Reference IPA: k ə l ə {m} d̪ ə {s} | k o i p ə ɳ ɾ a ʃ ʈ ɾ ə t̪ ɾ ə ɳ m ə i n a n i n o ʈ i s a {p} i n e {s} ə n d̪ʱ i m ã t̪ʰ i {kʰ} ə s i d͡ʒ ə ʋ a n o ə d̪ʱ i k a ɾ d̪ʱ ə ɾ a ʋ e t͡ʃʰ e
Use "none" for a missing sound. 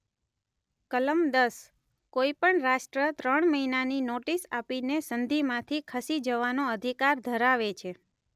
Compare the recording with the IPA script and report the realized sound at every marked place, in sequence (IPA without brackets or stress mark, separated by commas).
m, s, p, s, kʰ